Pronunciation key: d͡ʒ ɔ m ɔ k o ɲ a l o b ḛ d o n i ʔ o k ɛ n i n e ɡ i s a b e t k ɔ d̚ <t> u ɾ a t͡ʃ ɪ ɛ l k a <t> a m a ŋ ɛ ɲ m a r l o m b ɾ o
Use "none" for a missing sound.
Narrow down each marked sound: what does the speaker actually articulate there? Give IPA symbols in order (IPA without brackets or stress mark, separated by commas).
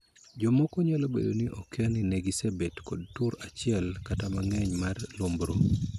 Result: t, t